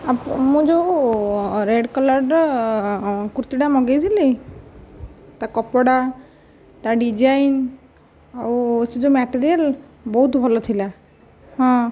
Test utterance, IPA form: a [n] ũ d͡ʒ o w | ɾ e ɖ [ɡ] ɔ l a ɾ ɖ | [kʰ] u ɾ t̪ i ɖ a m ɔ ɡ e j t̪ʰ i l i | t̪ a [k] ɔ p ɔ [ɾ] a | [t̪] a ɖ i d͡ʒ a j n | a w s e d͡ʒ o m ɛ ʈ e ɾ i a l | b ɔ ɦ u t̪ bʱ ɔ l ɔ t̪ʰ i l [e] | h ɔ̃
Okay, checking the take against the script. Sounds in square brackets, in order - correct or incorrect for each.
incorrect: m, incorrect: k, incorrect: k, correct, incorrect: ɽ, correct, incorrect: a

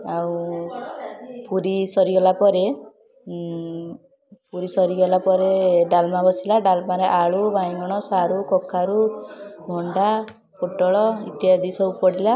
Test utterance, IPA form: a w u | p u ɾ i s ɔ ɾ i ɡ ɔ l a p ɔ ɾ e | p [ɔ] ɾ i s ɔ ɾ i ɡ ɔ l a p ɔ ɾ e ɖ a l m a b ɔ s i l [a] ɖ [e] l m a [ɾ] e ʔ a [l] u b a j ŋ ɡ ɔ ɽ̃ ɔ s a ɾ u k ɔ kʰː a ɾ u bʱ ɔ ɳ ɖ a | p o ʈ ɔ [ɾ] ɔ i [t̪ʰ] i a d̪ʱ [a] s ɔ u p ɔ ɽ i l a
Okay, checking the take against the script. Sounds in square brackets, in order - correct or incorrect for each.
incorrect: u, correct, incorrect: a, correct, incorrect: ɭ, incorrect: ɭ, incorrect: t̪, incorrect: i

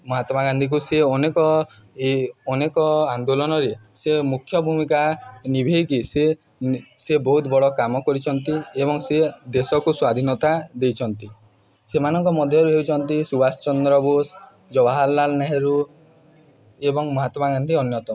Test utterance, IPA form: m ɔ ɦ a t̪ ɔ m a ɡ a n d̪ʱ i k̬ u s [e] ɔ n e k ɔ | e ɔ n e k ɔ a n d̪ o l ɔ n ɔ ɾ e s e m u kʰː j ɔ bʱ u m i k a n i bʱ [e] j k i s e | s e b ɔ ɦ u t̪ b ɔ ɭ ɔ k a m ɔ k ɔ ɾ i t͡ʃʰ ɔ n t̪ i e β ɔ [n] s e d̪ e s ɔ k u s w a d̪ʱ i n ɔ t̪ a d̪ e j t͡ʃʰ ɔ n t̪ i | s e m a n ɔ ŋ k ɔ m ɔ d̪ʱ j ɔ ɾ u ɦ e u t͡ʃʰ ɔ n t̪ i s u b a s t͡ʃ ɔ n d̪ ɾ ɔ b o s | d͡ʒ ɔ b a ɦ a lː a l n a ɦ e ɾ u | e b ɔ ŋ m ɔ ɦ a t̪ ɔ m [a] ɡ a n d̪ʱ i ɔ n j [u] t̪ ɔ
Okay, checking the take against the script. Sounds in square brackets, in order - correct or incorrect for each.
correct, correct, incorrect: ŋ, correct, incorrect: ɔ

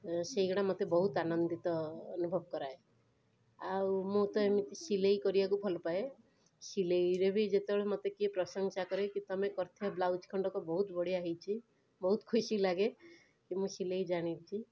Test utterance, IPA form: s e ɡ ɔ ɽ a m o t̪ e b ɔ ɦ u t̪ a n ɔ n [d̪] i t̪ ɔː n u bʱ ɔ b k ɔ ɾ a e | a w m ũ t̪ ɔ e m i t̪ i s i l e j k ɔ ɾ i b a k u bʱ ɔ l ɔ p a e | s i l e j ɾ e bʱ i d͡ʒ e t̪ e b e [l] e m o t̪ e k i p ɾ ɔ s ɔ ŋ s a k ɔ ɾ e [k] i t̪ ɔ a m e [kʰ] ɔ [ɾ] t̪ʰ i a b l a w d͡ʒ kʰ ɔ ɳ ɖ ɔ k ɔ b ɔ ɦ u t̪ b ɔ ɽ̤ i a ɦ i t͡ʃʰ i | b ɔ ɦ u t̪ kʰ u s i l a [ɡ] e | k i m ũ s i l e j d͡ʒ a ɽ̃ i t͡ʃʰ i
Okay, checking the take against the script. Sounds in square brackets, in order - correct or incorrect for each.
correct, incorrect: ɭ, correct, incorrect: k, correct, correct

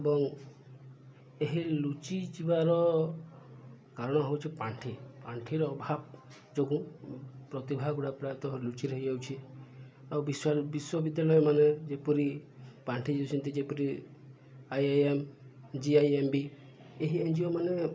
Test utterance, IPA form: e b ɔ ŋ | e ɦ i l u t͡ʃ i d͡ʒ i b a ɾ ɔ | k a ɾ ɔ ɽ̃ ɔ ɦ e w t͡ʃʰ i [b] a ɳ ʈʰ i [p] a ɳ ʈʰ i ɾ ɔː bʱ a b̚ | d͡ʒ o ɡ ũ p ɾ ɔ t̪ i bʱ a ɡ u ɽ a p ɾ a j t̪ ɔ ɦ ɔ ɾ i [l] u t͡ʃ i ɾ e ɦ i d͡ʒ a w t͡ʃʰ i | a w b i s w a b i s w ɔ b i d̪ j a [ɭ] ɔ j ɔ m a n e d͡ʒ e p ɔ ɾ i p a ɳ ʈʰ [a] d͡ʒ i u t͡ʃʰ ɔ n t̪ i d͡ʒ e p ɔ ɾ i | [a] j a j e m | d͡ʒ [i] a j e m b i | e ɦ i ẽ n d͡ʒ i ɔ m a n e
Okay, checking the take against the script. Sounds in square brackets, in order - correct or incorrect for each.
incorrect: p, correct, correct, incorrect: l, incorrect: i, correct, correct

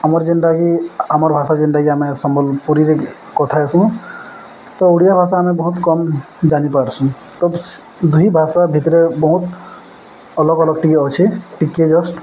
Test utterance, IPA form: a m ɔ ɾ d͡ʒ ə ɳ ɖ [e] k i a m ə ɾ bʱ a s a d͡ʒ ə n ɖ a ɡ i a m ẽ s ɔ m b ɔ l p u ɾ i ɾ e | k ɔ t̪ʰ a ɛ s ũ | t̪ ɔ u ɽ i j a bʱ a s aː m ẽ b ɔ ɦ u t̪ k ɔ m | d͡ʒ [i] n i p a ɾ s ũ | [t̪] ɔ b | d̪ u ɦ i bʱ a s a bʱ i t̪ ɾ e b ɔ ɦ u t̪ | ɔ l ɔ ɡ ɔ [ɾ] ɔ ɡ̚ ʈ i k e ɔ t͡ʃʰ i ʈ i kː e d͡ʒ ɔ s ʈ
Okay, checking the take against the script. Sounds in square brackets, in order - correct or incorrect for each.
incorrect: a, incorrect: a, correct, incorrect: l

